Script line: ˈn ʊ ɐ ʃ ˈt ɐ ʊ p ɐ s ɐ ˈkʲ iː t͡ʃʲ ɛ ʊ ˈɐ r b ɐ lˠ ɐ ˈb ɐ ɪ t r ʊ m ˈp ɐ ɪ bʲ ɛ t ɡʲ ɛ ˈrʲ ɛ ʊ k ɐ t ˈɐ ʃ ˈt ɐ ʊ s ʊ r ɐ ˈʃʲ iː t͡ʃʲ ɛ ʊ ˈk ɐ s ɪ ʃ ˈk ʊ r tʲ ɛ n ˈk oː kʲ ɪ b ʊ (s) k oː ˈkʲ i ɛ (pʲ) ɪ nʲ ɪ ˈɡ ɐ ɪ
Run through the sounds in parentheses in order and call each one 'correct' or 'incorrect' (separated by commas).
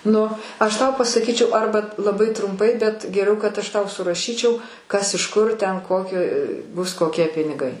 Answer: correct, correct